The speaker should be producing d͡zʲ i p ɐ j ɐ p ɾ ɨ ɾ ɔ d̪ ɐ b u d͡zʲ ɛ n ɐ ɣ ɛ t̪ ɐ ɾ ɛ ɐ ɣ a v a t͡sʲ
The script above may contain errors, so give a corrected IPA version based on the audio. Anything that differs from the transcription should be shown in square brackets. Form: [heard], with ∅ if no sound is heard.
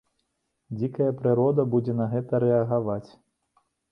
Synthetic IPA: d͡zʲ i [k] ɐ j ɐ p ɾ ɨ ɾ ɔ d̪ ɐ b u d͡zʲ ɛ n ɐ ɣ ɛ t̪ ɐ ɾ ɛ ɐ ɣ a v a t͡sʲ